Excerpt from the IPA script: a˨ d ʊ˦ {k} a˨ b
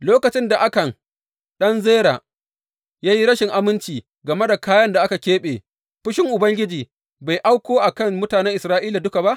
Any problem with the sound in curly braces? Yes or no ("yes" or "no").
no